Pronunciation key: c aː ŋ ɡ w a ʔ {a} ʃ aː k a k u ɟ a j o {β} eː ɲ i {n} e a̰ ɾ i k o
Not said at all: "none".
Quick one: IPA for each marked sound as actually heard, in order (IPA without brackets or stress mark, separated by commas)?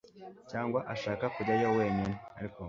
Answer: a, w, n